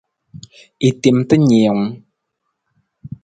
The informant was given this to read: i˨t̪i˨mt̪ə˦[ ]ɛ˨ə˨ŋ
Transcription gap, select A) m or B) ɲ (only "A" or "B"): B